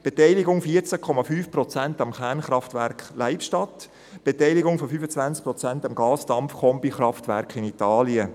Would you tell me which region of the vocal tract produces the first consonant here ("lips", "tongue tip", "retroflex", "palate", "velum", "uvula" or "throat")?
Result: lips